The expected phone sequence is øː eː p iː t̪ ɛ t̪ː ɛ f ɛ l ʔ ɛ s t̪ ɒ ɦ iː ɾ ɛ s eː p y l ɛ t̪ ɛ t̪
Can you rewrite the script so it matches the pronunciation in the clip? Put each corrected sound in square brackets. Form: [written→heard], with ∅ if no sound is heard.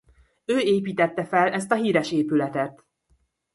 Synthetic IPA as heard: øː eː p iː t̪ ɛ t̪ː ɛ f ɛ l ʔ ɛ s t̪ ɒ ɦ iː ɾ ɛ [s→ʃ] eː p y l ɛ t̪ ɛ t̪

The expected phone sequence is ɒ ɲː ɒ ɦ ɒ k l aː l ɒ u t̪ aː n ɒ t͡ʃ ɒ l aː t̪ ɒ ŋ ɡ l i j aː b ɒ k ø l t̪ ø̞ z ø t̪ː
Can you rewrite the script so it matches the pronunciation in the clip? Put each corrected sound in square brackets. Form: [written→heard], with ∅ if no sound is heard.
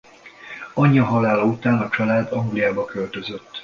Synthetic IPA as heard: ɒ ɲː ɒ ɦ ɒ [k→∅] l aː l ɒ u t̪ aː n ɒ t͡ʃ ɒ l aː [t̪→d̪] ɒ ŋ ɡ l i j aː b ɒ k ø l t̪ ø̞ z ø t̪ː

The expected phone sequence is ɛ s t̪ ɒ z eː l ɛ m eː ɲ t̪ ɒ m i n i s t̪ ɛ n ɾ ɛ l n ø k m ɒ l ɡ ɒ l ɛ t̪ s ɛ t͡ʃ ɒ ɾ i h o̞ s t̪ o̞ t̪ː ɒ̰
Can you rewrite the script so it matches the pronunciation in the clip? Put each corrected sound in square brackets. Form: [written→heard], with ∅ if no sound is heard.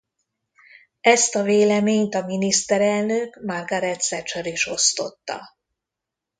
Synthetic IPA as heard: ɛ s t̪ ɒ [z→v] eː l ɛ m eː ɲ t̪ ɒ m i n i s t̪ ɛ [n→∅] ɾ ɛ l n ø k m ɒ [l→r] ɡ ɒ [l→ɾ] ɛ t̪ s ɛ t͡ʃ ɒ ɾ i [h→ʃ] o̞ s t̪ o̞ t̪ː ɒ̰

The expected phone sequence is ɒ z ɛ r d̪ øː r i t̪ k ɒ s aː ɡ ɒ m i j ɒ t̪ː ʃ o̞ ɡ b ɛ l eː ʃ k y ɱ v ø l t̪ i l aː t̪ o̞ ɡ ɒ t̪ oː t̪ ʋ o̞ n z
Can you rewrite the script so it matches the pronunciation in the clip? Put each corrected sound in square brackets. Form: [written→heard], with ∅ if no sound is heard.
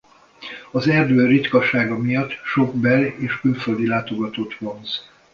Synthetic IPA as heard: ɒ z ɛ r d̪ øː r i t̪ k ɒ [s→ʃ] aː ɡ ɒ m i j ɒ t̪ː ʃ o̞ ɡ b ɛ l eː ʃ k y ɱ [v→f] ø l [t̪→d̪] i l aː t̪ o̞ ɡ ɒ t̪ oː t̪ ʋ o̞ n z

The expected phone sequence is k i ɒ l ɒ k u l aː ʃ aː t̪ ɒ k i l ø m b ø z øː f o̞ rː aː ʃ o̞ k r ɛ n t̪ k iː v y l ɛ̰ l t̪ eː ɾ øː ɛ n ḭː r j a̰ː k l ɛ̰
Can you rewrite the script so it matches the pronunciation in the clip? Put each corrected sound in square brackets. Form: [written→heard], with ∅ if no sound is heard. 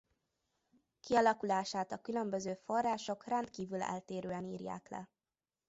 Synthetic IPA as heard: k i ɒ l ɒ k u l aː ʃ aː t̪ ɒ k [i→y] l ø m b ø z øː f o̞ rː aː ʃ o̞ k r ɛ n t̪ k iː v y l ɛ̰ l t̪ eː ɾ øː ɛ n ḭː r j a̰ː k l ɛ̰

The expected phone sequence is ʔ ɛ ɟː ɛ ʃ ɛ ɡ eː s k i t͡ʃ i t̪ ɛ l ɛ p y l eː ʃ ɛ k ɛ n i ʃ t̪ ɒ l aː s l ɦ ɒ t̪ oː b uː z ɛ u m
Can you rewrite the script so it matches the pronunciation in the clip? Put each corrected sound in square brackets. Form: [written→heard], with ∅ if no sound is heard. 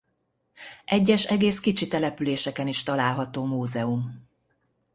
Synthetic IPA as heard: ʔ ɛ ɟː ɛ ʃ ɛ ɡ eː s k i t͡ʃ i t̪ ɛ l ɛ p y l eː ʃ ɛ k ɛ n i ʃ t̪ ɒ l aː [s→∅] l ɦ ɒ t̪ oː [b→m] uː z ɛ u m

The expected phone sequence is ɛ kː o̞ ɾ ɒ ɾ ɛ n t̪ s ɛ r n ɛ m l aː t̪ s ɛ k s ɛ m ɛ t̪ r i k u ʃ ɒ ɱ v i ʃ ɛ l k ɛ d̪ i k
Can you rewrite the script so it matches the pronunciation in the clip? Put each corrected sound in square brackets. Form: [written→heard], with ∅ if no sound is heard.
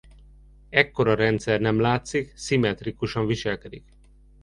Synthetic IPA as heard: ɛ kː o̞ ɾ ɒ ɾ ɛ n t̪ s ɛ r n ɛ m l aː t̪ s [ɛ→i] k s [ɛ→i] m ɛ t̪ r i k u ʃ ɒ ɱ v i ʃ ɛ l k ɛ d̪ i k

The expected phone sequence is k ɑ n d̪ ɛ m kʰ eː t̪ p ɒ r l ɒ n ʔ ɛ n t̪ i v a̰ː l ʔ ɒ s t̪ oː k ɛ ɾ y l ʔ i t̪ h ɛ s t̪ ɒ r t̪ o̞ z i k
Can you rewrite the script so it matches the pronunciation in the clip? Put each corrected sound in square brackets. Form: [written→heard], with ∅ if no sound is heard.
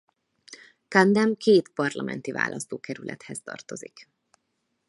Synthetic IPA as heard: k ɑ n d̪ ɛ m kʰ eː t̪ p ɒ r l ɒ [n→m] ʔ ɛ n t̪ i v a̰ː l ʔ ɒ s t̪ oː k ɛ ɾ y l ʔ [i→ɛ] t̪ h ɛ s t̪ ɒ r t̪ o̞ z i k

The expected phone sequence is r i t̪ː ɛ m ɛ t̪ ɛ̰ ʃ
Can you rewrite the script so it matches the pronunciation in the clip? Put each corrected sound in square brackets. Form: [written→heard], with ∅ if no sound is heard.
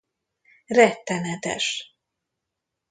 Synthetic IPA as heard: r [i→ɛ] t̪ː ɛ [m→n] ɛ t̪ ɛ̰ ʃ

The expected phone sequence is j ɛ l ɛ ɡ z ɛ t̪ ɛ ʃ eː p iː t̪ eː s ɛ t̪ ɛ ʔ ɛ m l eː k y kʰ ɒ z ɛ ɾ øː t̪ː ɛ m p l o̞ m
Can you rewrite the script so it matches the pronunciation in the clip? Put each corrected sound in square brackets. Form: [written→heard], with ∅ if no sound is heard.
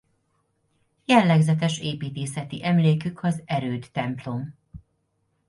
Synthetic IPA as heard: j ɛ [l→lː] ɛ ɡ z ɛ t̪ ɛ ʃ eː p iː t̪ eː s ɛ t̪ [ɛ→i] ʔ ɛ m l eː k y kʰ ɒ z ɛ ɾ øː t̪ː ɛ m p l o̞ m

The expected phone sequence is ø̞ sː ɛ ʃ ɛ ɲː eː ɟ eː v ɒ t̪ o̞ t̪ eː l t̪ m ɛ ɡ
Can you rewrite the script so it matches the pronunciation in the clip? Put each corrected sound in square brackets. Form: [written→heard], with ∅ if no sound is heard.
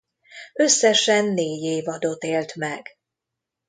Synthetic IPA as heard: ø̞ sː ɛ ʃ ɛ [ɲː→nː] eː ɟ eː v ɒ [t̪→d̪] o̞ t̪ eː l t̪ m ɛ ɡ

